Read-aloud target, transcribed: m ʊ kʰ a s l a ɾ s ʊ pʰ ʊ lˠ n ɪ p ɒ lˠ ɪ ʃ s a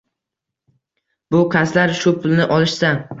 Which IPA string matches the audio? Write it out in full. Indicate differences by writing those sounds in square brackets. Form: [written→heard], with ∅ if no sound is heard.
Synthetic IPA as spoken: [m→b] ʊ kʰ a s l a ɾ [s→ʃ] ʊ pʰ ʊ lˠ n ɪ [p→ʔ] ɒ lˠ ɪ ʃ s a